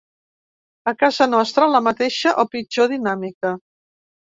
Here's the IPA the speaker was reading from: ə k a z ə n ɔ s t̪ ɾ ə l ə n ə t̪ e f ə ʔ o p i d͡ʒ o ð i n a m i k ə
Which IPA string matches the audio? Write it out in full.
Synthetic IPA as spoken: ə k a z ə n ɔ s t̪ ɾ ə l ə m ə t̪ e ʃ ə ʔ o p i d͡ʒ o ð i n a m i k ə